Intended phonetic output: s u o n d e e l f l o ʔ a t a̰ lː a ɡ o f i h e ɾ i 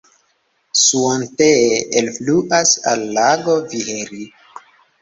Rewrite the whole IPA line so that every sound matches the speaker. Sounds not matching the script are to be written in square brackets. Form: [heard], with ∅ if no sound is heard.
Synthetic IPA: s u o n [t] e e l f l [u] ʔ a [s] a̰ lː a ɡ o [v] i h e ɾ i